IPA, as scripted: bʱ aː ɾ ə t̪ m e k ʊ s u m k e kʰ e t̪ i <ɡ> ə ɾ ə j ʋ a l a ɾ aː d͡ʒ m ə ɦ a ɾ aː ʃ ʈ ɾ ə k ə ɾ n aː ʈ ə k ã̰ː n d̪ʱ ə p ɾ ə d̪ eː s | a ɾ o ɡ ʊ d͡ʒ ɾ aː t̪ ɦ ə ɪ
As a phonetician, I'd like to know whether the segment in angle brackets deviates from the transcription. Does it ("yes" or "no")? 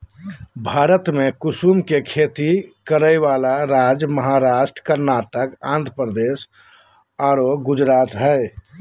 yes